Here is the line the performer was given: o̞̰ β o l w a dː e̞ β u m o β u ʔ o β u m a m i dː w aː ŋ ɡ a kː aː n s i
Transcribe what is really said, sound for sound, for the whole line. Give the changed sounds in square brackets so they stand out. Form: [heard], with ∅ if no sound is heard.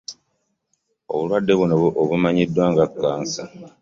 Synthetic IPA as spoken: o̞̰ β [u] l w a dː e̞ β u [n] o β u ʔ o β u m a [ɲ] i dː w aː ŋ ɡ a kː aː n s [a]